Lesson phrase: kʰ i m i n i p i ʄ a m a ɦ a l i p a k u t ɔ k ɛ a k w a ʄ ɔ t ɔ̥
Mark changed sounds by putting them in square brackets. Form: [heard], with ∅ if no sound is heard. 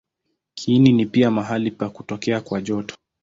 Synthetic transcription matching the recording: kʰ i [n] i n i p i [∅] a m a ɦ a l i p a k u t ɔ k ɛ a k w a ʄ ɔ t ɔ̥